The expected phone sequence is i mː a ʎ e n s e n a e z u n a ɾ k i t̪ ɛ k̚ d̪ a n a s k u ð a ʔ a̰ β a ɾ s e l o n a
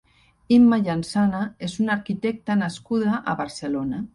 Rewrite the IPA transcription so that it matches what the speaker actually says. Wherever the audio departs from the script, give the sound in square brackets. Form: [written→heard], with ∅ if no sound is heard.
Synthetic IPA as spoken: i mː a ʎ [e→a] n s [e→a] n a e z u n a ɾ k i t̪ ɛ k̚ [d̪→t̪] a n a s k u ð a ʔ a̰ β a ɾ s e l o n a